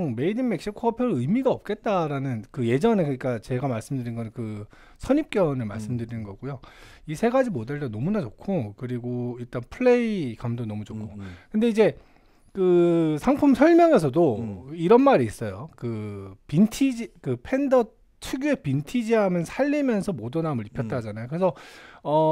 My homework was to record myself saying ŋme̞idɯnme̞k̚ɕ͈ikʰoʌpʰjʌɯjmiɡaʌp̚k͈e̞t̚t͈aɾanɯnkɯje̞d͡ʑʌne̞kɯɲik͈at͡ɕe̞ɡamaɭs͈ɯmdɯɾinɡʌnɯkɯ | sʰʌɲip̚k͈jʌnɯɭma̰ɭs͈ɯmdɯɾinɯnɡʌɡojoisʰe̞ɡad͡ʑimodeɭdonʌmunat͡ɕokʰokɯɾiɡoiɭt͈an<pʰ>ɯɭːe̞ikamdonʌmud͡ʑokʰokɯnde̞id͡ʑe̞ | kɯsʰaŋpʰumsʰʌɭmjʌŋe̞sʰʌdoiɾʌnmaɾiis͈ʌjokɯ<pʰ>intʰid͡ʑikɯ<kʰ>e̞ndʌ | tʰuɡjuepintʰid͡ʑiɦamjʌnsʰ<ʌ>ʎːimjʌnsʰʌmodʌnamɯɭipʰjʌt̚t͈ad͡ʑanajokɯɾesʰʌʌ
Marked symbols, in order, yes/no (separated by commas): yes, no, no, no